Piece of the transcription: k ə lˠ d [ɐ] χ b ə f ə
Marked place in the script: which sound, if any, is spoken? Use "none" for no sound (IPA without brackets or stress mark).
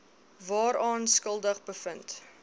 ə